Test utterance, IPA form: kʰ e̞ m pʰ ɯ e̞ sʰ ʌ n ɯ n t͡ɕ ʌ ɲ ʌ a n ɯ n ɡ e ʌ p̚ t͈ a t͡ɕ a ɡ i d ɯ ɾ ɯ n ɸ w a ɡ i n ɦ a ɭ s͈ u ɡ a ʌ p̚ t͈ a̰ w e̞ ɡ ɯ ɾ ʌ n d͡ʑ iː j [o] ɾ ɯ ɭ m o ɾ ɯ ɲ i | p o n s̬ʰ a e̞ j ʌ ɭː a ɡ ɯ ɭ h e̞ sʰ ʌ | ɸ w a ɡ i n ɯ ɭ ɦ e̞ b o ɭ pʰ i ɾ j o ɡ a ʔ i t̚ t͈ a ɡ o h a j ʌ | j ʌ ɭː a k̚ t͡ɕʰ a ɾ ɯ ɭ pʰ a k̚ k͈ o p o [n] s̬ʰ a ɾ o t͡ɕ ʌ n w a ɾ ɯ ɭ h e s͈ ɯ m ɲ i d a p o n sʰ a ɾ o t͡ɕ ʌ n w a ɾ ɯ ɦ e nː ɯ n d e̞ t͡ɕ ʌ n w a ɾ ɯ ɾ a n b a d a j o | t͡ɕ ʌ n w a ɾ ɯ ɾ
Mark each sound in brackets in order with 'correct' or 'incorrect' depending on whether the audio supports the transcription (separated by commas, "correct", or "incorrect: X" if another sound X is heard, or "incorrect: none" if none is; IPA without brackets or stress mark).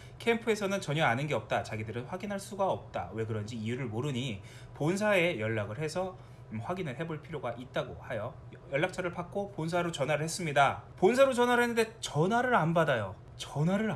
incorrect: u, correct